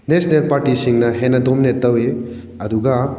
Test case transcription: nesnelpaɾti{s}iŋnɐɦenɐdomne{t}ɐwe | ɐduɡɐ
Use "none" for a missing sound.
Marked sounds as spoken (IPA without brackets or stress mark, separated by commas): s, t